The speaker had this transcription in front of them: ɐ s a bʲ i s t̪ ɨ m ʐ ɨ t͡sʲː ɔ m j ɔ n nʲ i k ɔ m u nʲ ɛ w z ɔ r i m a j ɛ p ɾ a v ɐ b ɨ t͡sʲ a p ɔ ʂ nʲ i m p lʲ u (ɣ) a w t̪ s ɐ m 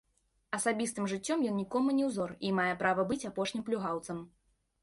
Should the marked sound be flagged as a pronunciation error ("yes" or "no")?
no